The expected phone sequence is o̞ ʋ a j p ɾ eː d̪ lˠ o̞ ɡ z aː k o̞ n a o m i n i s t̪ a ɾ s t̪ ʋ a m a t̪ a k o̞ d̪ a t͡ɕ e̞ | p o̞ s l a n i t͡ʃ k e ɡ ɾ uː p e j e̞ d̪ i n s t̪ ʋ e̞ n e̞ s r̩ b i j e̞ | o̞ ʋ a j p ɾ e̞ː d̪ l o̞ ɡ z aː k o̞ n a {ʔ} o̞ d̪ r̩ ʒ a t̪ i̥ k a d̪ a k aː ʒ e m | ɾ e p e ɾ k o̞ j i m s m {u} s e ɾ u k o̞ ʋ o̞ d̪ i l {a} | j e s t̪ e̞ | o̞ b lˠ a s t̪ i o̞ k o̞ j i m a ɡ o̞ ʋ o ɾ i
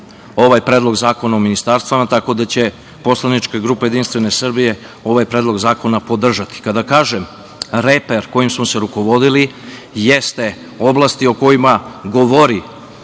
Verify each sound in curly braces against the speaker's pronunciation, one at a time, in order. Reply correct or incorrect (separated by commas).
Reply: incorrect, incorrect, incorrect